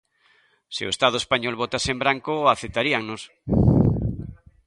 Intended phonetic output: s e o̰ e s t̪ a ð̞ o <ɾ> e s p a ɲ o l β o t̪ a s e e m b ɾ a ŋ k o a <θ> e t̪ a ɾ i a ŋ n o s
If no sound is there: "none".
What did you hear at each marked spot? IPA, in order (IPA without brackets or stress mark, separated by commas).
none, θ